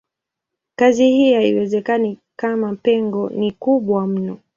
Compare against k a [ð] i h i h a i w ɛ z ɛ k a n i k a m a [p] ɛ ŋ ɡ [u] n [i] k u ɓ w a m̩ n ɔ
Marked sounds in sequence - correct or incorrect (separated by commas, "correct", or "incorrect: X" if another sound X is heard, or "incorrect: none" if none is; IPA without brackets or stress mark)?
incorrect: z, correct, incorrect: ɔ, correct